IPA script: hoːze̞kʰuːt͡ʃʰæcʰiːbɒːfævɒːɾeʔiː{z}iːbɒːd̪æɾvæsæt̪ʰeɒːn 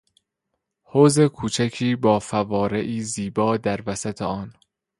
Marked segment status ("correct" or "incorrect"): correct